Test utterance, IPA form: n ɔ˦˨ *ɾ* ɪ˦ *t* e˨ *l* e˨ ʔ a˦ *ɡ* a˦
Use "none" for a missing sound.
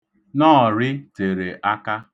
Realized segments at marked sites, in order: ɾ, t, ɾ, k

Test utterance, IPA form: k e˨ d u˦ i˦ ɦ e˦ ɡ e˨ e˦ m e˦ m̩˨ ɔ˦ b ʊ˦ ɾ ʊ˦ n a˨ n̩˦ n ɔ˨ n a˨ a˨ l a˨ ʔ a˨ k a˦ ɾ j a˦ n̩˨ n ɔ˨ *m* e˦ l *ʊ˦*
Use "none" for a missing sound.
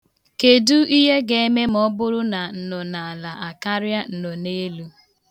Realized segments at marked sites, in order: n, u˦

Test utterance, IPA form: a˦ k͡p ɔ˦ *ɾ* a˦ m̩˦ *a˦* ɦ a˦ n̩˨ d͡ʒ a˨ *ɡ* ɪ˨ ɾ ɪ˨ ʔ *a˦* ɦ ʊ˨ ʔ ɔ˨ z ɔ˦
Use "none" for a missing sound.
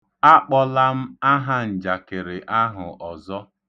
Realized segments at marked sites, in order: l, a˦, k, a˦

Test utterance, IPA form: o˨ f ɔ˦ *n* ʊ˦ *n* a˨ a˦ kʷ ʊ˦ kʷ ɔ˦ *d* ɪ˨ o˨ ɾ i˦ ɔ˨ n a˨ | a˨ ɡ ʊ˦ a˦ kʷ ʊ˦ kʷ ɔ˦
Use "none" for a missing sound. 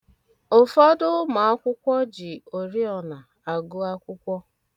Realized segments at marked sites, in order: d, m, d͡ʒ

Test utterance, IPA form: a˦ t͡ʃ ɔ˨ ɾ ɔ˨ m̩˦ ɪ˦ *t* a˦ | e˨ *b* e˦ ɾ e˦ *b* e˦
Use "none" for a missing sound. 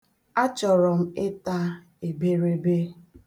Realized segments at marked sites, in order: t, b, b

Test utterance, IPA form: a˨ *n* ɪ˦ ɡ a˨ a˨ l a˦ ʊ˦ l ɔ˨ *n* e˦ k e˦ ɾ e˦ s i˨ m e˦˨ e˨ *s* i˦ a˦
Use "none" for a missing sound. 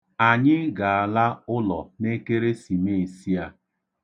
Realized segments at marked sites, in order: ɲ, n, s

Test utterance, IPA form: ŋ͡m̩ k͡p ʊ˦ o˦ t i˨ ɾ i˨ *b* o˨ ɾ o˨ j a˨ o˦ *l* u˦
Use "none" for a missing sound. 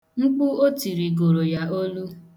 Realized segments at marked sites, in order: ɡ, l

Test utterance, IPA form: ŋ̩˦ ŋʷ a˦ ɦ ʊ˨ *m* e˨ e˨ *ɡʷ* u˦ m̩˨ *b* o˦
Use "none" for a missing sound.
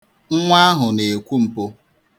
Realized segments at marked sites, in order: n, kʷ, p

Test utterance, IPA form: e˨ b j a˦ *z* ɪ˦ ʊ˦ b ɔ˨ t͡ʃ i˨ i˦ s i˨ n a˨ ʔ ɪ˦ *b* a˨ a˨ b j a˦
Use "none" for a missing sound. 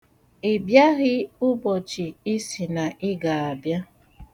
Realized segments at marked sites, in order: ɣ, ɡ

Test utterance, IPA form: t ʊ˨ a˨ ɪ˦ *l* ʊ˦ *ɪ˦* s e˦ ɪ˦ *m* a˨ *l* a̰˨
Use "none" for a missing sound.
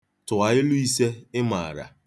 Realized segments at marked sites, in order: l, i˦, m, ɾ

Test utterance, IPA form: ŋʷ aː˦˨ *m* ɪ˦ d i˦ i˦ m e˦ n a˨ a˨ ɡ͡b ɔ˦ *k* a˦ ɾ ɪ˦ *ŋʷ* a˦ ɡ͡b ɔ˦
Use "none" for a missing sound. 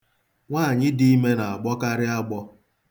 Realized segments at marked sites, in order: ɲ, k, none

